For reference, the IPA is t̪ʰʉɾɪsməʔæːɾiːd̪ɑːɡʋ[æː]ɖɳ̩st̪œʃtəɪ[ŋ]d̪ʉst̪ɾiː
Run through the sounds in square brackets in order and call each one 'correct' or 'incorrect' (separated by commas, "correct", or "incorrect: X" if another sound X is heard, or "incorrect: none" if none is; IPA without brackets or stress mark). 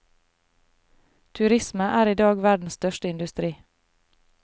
incorrect: æ, incorrect: n